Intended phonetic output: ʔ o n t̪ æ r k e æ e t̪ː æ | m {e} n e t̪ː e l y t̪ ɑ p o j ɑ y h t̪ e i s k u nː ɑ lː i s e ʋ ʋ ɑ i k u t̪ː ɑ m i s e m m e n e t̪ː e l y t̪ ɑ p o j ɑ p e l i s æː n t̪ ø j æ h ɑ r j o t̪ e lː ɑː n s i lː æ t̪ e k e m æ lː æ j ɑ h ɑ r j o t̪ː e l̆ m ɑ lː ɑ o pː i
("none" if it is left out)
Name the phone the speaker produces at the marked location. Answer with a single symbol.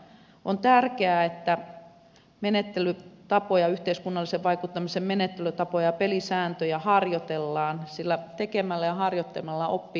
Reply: e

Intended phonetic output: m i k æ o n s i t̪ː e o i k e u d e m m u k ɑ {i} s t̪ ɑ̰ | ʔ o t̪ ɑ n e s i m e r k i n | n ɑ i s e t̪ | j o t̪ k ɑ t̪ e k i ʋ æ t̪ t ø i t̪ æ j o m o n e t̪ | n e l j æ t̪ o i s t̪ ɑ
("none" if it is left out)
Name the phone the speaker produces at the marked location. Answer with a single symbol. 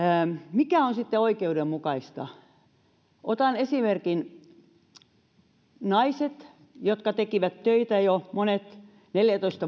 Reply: i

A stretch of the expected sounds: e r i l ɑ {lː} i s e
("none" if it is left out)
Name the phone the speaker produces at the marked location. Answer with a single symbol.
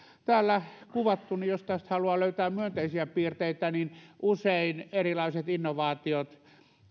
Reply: none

